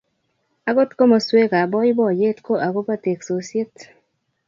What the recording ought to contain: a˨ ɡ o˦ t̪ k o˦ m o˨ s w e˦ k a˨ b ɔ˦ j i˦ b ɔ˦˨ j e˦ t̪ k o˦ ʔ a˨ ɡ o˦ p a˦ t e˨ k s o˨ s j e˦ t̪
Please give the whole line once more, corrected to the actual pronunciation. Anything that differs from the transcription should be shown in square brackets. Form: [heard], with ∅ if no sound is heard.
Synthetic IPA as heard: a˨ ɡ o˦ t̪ k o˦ m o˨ s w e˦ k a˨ b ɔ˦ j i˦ b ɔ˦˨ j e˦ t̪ k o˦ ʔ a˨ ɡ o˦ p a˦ t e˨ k s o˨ s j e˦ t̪